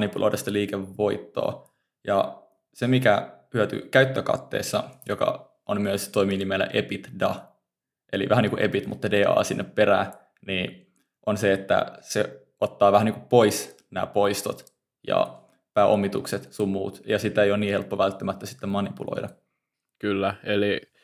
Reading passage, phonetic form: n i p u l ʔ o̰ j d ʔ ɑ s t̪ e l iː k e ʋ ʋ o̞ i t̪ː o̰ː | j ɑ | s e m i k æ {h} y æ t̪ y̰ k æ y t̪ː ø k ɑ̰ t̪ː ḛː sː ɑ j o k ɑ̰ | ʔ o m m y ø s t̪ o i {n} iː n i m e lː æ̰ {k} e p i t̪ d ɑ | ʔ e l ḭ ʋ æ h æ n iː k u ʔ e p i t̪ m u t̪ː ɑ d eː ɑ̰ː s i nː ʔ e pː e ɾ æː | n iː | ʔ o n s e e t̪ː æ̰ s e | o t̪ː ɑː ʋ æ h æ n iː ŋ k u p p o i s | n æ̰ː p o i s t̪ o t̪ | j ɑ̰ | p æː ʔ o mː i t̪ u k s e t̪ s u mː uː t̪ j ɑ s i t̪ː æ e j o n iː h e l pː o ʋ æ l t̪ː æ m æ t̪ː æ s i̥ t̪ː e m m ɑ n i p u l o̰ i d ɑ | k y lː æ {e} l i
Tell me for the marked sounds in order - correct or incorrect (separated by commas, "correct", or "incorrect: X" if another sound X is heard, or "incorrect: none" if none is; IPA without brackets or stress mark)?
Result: correct, incorrect: m, incorrect: ʔ, correct